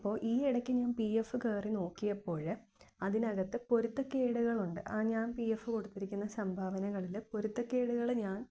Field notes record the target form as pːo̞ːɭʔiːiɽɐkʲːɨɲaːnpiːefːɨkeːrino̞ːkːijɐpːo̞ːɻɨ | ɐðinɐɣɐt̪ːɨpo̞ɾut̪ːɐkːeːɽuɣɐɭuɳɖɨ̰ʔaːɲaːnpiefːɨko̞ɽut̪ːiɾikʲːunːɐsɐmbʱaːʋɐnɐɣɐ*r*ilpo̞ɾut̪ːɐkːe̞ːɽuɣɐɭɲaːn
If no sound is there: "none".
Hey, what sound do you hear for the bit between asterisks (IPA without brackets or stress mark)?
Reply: ɭ